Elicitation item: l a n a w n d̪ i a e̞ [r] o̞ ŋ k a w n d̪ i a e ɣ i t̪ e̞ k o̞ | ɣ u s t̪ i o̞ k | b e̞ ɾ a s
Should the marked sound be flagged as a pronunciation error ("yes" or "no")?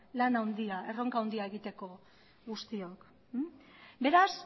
no